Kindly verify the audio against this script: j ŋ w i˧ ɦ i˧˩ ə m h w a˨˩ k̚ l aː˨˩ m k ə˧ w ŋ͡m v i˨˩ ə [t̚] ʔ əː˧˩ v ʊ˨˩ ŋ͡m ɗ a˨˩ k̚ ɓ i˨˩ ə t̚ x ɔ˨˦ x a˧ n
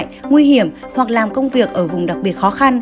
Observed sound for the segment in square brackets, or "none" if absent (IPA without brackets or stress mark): k̚